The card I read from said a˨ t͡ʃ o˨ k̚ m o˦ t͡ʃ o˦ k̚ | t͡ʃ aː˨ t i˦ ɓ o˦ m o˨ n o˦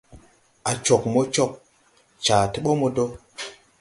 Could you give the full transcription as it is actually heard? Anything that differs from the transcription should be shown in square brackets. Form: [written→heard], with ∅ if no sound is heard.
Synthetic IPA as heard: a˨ t͡ʃ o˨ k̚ m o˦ t͡ʃ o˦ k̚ | t͡ʃ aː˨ t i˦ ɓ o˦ m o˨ [n→d] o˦